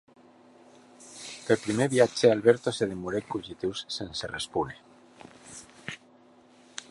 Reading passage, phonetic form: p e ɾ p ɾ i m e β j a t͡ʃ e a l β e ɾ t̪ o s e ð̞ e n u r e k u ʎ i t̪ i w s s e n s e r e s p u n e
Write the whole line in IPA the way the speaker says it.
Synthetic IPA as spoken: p e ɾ p ɾ i m e β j a t͡ʃ e a l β e ɾ t̪ o s e ð̞ e m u ɾ e k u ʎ i t̪ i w s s e n s e r e s p u n e